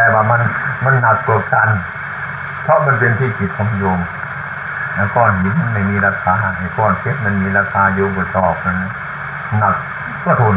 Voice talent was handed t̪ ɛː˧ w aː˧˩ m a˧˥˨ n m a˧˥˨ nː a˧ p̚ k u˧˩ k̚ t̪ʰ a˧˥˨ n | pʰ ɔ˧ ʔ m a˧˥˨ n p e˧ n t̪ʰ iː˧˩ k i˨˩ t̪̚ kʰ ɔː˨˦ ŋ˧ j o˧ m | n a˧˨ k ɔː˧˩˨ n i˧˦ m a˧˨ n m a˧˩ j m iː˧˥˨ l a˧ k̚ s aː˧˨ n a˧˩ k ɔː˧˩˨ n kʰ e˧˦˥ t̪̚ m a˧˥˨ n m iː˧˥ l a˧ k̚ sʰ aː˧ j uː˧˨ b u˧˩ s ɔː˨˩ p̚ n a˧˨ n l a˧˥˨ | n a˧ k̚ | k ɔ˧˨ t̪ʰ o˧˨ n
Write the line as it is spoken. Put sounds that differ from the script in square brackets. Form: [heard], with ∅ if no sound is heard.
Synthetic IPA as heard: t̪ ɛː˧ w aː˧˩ m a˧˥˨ n m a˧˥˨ nː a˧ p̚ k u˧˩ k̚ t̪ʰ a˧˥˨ n | pʰ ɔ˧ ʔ m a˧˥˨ n p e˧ n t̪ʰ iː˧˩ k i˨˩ t̪̚ kʰ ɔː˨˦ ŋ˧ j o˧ m | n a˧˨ k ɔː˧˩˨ n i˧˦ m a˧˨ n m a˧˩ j m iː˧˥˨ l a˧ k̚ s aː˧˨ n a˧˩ k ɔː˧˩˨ n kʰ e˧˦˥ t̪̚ m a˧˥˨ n m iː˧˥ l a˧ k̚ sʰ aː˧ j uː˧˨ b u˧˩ s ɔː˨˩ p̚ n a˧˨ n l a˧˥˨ | n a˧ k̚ | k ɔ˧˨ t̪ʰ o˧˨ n